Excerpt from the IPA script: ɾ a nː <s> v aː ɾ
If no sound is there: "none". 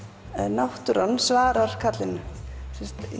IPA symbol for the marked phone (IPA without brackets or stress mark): s